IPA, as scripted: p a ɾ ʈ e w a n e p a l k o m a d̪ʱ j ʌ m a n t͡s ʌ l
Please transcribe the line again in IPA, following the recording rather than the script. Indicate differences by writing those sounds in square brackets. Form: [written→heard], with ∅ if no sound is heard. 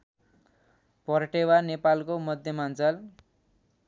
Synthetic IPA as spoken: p [a→ʌ] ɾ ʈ e w a n e p a l k o m [a→ʌ] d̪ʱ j ʌ m a n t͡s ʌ l